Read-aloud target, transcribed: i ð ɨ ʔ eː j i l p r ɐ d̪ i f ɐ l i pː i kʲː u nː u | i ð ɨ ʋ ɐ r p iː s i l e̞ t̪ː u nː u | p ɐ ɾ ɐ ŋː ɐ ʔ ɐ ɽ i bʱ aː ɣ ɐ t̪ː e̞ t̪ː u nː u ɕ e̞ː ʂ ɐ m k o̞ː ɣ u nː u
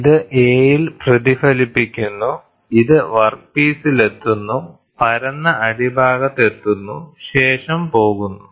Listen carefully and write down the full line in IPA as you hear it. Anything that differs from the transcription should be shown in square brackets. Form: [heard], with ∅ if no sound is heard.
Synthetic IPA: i ð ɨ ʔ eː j i l p r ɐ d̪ i f ɐ l i pː i kʲː u nː u | i ð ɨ ʋ ɐ r p iː s i l e̞ t̪ː u nː u | p ɐ ɾ ɐ [nː] ɐ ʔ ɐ ɽ i bʱ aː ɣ ɐ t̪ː e̞ t̪ː u nː u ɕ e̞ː ʂ ɐ m [p] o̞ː ɣ u nː u